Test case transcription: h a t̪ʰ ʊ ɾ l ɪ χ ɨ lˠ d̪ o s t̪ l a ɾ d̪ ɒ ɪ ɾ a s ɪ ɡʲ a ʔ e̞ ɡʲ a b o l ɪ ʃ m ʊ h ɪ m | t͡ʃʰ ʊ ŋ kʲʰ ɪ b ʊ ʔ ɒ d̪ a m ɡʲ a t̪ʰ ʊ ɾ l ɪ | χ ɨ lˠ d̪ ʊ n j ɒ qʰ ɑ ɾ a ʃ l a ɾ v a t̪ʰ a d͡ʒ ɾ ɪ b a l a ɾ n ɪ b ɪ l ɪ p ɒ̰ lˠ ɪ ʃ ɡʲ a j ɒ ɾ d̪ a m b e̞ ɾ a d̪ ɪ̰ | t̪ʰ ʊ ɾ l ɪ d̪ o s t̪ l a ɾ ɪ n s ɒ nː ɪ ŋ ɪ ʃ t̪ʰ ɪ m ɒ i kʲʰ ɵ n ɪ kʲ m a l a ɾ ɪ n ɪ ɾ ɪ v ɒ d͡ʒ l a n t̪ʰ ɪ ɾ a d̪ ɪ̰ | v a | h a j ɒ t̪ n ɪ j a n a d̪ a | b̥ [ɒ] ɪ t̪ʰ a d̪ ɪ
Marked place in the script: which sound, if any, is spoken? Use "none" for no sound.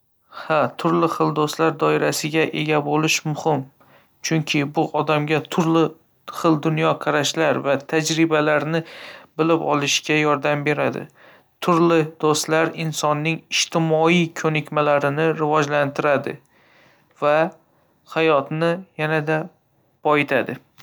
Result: ɒ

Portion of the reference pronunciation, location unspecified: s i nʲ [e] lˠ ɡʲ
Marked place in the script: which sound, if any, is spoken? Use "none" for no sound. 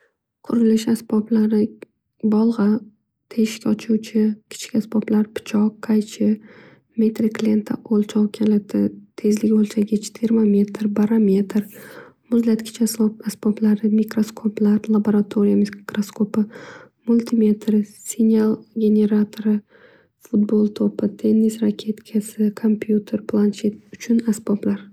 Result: a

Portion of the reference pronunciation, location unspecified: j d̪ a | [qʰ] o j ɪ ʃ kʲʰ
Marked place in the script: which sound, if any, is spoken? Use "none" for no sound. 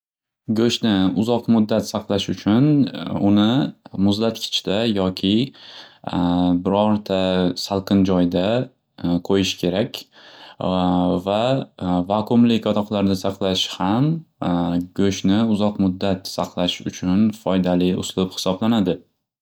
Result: qʰ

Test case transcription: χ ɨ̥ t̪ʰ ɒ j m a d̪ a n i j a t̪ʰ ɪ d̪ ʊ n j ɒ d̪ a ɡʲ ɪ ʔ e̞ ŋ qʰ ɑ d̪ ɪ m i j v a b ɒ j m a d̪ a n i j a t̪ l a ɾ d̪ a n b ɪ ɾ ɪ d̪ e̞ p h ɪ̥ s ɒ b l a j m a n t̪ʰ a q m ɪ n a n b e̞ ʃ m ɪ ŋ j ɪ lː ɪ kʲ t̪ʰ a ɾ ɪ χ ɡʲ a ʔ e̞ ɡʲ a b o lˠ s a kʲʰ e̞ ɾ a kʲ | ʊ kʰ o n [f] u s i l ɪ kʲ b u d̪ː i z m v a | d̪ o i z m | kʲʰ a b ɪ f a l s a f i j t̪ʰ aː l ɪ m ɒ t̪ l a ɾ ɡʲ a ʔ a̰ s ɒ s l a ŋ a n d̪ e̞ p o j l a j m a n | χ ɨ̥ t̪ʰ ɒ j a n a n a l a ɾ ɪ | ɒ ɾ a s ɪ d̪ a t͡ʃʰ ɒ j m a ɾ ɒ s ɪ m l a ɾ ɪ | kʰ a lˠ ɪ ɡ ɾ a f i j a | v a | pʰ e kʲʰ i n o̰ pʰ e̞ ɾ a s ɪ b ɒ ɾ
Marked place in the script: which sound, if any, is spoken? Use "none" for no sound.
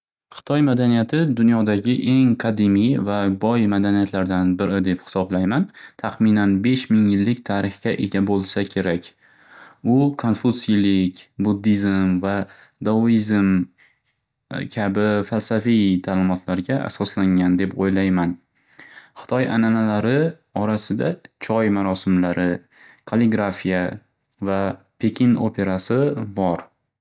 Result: f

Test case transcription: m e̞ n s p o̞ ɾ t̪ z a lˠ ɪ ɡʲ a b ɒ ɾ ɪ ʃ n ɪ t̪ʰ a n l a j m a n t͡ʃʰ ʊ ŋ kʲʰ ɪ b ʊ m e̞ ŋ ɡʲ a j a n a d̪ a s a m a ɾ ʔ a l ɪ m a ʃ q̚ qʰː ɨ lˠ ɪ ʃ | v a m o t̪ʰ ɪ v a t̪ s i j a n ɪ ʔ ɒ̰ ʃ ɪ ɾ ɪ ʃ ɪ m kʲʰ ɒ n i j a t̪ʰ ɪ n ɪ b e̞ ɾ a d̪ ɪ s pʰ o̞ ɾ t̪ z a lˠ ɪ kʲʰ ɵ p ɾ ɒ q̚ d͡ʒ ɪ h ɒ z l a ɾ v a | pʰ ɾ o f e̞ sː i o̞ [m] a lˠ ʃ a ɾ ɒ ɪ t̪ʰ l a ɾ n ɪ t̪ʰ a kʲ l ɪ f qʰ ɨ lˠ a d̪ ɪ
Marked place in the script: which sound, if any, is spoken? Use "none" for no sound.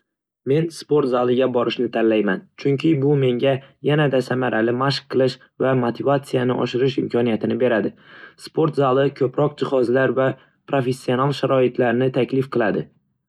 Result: n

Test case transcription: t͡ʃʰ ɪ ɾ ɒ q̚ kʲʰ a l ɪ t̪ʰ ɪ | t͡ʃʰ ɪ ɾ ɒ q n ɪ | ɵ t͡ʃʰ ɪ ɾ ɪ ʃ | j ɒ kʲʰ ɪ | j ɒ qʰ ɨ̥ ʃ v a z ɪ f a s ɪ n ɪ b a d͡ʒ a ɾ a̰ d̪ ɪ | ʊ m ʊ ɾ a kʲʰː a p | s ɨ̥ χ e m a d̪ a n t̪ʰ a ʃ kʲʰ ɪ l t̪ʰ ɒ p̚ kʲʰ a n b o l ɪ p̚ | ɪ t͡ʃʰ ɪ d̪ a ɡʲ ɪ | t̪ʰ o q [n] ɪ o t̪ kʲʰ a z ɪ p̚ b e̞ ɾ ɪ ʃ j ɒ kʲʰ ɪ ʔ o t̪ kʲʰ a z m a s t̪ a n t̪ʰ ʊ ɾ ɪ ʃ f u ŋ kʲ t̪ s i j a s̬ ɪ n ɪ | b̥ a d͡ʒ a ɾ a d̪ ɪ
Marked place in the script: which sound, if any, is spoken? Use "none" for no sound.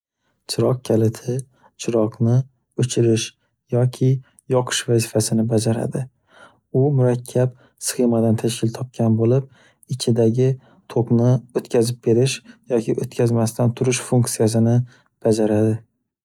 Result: n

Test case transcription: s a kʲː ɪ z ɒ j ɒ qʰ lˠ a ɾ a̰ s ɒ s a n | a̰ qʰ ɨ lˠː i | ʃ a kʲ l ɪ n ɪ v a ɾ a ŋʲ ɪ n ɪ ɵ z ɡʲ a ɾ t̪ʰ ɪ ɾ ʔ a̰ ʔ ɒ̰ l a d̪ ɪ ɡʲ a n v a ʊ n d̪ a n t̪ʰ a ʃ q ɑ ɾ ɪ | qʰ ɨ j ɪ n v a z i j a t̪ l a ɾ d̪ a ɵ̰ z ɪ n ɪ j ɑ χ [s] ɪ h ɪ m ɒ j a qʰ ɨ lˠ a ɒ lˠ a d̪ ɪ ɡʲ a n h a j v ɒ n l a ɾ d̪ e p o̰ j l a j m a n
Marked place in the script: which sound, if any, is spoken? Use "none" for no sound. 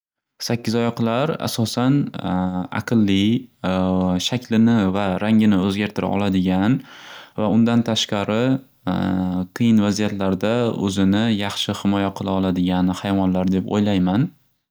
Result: ʃ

